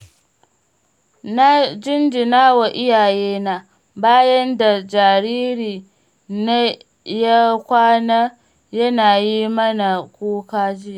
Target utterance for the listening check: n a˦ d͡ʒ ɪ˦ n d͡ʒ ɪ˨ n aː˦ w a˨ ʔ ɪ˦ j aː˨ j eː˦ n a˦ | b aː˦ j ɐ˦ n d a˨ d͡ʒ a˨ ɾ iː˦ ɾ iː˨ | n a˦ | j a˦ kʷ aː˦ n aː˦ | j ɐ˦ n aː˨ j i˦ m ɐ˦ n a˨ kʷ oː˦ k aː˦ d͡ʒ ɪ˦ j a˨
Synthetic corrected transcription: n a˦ d͡ʒ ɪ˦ n d͡ʒ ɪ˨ n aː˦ w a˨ ʔ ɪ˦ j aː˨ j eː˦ n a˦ | b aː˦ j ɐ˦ n d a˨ d͡ʒ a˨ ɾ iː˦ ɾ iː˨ | n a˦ | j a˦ kʷ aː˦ n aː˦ | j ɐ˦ n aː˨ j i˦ m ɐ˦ n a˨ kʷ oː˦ k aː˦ d͡ʒ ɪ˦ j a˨